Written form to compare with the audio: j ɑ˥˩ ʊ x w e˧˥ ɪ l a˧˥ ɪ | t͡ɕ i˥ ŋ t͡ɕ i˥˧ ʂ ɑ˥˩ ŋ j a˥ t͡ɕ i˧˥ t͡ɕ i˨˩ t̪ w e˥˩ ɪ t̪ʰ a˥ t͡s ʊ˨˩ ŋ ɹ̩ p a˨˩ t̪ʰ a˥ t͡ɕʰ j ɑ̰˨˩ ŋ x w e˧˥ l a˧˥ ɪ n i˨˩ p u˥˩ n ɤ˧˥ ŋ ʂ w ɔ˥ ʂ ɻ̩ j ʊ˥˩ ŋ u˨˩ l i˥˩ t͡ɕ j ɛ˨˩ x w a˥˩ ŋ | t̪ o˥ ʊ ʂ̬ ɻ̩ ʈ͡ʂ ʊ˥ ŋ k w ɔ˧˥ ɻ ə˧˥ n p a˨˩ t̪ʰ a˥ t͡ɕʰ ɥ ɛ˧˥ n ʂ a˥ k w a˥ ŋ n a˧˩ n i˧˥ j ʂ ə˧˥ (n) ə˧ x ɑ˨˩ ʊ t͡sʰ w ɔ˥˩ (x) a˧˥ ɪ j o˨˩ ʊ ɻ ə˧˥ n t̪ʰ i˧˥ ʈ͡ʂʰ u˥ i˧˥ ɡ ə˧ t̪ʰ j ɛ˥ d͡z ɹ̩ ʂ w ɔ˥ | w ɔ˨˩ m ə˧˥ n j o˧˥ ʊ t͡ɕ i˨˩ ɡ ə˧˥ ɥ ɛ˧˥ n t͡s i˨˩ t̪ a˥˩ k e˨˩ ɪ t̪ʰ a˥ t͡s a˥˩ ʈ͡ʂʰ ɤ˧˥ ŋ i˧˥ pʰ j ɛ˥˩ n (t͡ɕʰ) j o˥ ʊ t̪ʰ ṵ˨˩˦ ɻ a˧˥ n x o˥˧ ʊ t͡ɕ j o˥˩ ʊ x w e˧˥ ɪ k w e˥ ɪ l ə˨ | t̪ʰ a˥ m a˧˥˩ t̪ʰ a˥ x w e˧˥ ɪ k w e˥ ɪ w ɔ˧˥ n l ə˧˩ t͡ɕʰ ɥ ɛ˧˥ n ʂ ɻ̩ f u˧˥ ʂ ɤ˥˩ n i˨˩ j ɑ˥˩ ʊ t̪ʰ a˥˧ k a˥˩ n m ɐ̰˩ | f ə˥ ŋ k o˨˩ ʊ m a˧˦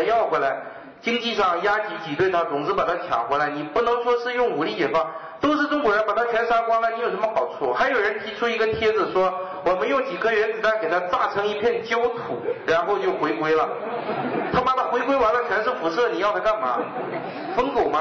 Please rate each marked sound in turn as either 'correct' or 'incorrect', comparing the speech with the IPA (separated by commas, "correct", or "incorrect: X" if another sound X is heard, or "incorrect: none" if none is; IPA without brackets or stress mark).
incorrect: m, correct, incorrect: t͡ɕ